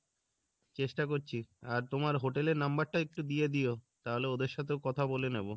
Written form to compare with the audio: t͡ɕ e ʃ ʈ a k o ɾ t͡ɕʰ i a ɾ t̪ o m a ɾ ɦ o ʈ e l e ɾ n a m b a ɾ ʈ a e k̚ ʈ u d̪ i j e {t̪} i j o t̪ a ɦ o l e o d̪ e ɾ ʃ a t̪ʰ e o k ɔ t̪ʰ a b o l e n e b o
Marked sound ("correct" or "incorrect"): incorrect